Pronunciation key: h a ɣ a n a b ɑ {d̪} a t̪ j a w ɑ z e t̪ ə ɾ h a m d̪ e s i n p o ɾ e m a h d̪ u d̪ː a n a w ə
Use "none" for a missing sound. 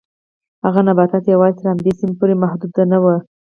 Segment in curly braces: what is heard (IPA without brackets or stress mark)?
t̪